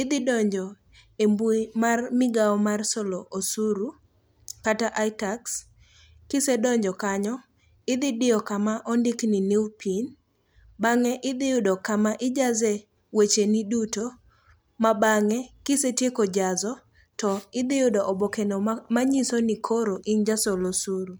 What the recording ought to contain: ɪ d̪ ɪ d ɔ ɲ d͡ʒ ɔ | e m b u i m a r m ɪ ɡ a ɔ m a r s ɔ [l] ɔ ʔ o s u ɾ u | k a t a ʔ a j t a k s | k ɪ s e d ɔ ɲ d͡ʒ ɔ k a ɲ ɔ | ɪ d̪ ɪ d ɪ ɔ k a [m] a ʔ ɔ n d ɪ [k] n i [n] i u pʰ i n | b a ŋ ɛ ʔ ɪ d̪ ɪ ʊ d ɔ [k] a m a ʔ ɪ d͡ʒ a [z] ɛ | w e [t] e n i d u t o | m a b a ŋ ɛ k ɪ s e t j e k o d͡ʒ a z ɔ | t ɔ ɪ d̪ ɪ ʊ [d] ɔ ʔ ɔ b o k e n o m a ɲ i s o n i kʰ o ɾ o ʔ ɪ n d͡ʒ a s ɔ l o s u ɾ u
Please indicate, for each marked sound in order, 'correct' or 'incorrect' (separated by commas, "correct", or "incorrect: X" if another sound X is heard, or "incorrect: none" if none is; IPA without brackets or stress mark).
correct, correct, correct, correct, correct, correct, incorrect: t͡ʃ, correct